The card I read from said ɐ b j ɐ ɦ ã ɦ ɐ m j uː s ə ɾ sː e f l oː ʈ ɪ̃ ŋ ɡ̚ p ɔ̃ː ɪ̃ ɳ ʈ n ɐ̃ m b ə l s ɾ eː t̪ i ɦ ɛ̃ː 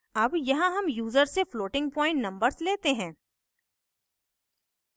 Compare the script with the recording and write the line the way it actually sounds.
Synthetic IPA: ɐ b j ɐ ɦ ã ɦ ɐ m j uː z ə ɾ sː e f l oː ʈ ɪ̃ ŋ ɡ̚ p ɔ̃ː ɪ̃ ɳ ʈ n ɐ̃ m b ə ɾ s l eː t̪ e ɦ ɛ̃ː